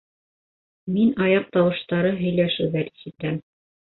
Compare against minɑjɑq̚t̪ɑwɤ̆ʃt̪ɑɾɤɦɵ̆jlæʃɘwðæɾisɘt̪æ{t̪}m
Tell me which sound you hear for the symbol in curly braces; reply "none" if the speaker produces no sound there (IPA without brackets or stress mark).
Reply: none